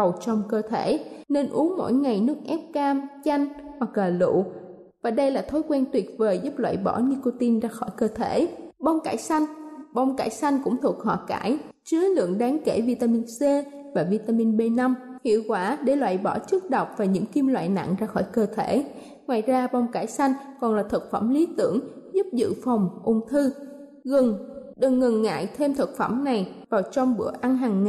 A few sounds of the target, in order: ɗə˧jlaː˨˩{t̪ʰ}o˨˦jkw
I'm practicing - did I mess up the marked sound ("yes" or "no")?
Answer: no